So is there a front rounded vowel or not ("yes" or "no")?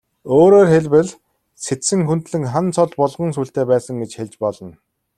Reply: no